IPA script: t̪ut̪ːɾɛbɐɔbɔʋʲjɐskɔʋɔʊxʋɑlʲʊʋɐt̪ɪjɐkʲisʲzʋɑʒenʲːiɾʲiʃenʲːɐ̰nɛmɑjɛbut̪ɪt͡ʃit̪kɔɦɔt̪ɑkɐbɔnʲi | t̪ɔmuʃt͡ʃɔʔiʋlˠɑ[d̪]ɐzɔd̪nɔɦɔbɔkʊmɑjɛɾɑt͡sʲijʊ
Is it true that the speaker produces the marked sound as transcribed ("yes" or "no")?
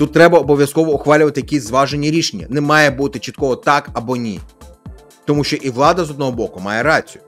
yes